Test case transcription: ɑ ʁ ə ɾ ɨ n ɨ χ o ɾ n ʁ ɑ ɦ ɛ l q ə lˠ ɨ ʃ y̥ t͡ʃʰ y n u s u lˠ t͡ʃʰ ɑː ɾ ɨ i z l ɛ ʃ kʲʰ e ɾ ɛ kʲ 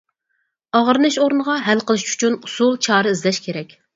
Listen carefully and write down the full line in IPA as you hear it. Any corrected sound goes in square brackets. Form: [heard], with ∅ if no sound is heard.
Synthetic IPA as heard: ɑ ʁ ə ɾ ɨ n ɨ [ʃ] o ɾ n ʁ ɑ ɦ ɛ l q ə lˠ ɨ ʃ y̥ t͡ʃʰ y n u s u lˠ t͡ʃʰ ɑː ɾ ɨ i z l ɛ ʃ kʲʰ e ɾ ɛ kʲ